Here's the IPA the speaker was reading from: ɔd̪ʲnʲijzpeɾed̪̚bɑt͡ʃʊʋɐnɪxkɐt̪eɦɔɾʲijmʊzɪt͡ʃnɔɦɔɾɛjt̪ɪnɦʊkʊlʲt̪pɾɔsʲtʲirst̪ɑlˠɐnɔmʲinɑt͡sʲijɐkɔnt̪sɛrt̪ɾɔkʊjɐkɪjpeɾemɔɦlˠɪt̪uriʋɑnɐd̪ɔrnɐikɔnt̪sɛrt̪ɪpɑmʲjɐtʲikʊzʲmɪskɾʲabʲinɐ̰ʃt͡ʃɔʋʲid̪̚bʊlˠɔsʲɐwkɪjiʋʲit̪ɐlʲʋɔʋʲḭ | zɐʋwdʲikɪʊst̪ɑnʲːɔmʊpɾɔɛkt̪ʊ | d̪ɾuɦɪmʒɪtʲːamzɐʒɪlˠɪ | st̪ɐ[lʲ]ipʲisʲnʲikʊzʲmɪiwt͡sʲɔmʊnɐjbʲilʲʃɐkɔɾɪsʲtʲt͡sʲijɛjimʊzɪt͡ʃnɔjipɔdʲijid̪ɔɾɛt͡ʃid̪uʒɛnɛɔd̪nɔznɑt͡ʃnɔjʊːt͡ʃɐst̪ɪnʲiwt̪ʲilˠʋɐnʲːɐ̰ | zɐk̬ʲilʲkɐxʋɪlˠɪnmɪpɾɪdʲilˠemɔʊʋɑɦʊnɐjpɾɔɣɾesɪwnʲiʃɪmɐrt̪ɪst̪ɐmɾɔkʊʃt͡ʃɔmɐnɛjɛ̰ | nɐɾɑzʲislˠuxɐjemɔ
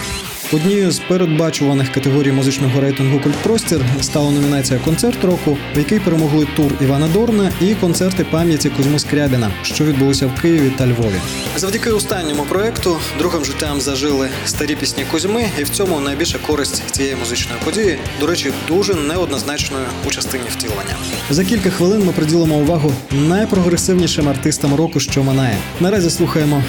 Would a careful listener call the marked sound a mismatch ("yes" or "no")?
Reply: yes